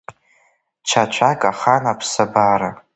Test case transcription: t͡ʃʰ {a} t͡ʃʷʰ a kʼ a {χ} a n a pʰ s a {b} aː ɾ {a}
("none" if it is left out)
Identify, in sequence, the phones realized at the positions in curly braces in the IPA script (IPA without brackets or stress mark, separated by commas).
a, χ, b, a